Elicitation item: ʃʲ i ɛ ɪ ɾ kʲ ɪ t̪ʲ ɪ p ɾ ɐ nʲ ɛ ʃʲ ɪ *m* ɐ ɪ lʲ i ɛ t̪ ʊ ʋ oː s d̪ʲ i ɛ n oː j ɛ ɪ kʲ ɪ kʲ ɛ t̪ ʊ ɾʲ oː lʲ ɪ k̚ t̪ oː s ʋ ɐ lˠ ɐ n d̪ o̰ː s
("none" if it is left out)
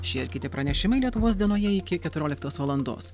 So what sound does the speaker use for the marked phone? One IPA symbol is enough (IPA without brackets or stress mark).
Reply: m